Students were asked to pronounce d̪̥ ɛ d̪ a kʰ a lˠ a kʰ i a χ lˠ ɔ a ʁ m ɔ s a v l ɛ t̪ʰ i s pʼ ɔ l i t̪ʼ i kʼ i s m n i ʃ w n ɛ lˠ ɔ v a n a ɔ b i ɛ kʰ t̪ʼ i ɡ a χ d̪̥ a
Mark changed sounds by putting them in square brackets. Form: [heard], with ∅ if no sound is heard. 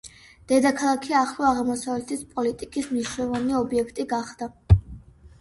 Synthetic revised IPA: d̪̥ ɛ d̪ a kʰ a lˠ a kʰ i a χ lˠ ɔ a ʁ m ɔ s a v l ɛ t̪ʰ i s pʼ ɔ l i t̪ʼ i kʼ i s m n i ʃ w n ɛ lˠ ɔ v a n [i] ɔ b i ɛ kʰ t̪ʼ i ɡ a χ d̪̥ a